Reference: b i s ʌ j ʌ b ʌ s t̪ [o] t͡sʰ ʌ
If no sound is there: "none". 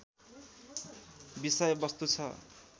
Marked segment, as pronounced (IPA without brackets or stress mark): u